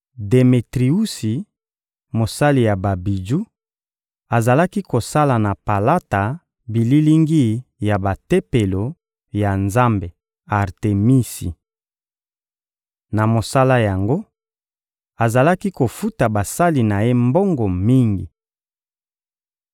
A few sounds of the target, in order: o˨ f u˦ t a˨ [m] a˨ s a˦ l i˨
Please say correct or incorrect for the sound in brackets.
incorrect